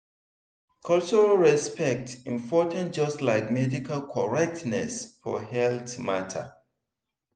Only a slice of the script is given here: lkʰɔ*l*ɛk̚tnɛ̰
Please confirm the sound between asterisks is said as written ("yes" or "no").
no